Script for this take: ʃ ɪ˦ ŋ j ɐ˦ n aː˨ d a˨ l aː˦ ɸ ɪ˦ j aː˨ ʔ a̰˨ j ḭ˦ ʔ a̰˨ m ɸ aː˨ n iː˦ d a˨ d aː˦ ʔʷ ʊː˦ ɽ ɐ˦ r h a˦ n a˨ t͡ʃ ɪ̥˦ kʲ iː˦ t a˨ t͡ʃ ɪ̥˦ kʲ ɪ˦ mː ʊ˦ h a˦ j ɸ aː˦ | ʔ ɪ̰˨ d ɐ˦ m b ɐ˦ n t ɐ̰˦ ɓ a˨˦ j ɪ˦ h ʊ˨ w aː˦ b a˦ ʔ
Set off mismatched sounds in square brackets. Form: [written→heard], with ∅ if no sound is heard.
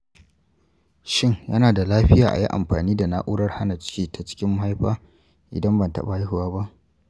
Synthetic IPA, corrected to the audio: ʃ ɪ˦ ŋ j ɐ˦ n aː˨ d a˨ l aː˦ ɸ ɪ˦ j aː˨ ʔ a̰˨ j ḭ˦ ʔ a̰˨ m ɸ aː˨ n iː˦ d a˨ [d→n] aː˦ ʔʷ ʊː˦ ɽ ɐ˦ r h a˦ n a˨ t͡ʃ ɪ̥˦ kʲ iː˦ t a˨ t͡ʃ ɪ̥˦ kʲ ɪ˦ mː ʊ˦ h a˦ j ɸ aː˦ | ʔ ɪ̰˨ d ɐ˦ m b [ɐ˦→ɐ˨] n t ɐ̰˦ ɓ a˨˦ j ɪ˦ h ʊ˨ w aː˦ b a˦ ʔ